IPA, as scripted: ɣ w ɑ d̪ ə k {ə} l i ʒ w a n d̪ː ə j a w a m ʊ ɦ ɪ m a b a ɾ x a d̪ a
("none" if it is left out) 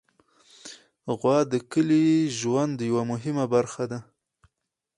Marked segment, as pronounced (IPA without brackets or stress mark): ə